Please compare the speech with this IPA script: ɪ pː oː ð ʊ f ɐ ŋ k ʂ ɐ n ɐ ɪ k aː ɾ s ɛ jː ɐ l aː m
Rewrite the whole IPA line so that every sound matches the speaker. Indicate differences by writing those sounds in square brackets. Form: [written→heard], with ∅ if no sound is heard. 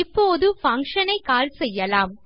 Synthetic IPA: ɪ pː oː ð [ʊ→ɯ] f ɐ ŋ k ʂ ɐ n ɐ ɪ k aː [ɾ→l] s ɛ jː ɐ l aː m